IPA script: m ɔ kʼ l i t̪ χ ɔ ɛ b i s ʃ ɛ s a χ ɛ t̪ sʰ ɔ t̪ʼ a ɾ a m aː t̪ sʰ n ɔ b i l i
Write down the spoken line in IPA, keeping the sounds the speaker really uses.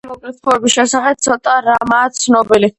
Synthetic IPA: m ɔ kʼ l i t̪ χ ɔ ɛ b i s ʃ ɛ s a χ ɛ t̪ sʰ ɔ t̪ʼ a ɾ a m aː t̪ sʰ n ɔ b i l i